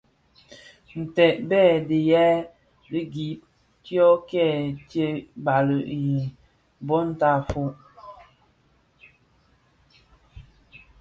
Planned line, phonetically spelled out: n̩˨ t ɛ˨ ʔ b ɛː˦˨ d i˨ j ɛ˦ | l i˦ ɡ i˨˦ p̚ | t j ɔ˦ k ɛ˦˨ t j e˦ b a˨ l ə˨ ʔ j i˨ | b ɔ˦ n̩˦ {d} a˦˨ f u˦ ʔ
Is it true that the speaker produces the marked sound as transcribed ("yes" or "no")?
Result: no